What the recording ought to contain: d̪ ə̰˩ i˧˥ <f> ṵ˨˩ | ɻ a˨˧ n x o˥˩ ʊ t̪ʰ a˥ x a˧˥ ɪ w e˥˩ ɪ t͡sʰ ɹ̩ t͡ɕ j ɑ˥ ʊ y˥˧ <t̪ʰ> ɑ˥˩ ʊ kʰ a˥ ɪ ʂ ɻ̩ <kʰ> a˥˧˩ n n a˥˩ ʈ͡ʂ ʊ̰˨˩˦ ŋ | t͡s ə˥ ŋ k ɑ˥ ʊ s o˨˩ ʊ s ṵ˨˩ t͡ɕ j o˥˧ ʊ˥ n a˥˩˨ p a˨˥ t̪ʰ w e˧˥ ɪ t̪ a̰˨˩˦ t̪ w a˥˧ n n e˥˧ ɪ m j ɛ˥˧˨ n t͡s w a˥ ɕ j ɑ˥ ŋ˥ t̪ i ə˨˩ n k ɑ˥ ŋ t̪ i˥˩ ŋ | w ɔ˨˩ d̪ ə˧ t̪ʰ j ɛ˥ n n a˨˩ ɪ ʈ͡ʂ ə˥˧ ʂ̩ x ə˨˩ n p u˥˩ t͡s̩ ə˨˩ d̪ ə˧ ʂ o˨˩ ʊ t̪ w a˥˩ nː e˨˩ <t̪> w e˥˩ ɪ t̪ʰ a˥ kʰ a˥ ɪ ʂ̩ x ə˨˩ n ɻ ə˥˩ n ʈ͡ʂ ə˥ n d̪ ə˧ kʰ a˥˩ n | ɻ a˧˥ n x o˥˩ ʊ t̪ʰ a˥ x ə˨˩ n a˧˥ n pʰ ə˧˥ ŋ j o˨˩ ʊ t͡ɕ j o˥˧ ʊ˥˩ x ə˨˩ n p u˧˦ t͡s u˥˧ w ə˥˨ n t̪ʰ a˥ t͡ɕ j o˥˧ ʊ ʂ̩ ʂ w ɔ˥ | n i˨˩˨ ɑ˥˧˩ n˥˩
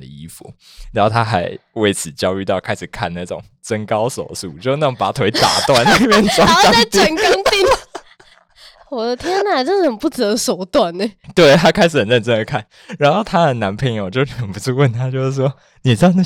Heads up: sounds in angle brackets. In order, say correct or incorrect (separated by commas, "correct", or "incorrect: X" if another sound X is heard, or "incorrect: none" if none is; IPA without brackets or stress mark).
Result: correct, incorrect: t̪, correct, correct